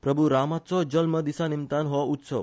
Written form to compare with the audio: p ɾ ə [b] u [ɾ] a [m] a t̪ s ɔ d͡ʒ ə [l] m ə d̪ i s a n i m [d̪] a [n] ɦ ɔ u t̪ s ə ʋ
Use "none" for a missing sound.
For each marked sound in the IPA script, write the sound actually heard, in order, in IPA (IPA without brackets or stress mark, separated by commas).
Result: b, ɾ, m, l, t̪, n